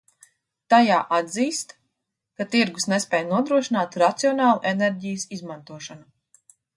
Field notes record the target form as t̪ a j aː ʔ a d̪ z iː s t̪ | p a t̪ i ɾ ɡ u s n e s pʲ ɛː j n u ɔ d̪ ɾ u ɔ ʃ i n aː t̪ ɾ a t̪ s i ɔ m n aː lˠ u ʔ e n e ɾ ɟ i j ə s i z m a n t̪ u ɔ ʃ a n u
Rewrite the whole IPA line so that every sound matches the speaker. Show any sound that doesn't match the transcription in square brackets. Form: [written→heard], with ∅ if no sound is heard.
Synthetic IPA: t̪ a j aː ʔ a d̪ z iː s t̪ | [p→k] a t̪ i ɾ ɡ u s n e s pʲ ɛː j n u ɔ d̪ ɾ u ɔ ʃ i n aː t̪ ɾ a t̪ s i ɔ [m→∅] n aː lˠ u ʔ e n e ɾ ɟ i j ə s i z m a n t̪ u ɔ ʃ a n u